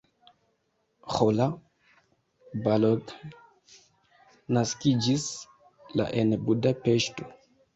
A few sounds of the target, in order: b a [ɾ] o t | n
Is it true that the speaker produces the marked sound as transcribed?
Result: no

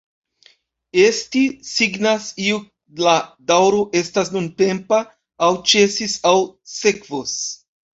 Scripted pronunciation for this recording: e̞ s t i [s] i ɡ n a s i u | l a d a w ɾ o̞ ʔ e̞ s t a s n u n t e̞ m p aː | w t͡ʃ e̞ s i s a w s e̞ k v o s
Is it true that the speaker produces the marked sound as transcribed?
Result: yes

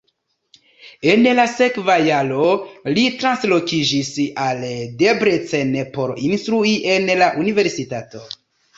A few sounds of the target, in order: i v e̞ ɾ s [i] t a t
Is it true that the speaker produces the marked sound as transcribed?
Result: yes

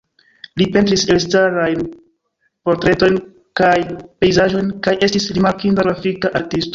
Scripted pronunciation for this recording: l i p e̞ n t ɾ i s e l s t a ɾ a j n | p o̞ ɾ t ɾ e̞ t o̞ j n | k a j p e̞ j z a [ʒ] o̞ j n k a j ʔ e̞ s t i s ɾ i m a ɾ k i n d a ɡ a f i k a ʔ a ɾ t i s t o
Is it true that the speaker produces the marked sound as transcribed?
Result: yes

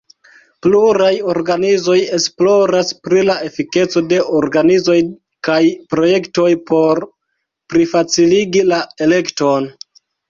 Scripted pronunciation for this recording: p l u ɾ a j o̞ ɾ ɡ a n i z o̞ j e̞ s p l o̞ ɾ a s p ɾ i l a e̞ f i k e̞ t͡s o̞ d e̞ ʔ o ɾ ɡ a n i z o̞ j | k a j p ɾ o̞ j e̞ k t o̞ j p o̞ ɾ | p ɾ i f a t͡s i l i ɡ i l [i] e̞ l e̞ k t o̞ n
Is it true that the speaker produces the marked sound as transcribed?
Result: no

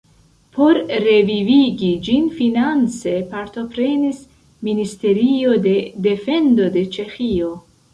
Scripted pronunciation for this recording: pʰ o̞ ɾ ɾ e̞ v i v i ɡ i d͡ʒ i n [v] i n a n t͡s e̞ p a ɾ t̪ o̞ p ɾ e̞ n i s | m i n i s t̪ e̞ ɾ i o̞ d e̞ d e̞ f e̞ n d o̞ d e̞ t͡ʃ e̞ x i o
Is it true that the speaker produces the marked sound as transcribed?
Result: no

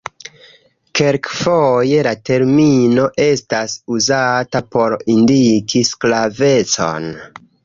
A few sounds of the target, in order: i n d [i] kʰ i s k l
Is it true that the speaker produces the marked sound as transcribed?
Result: yes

